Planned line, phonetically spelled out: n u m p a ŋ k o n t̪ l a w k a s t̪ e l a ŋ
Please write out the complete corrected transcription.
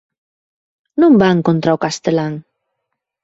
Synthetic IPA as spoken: n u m b a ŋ k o n t̪ ɾ a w k a s t̪ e l a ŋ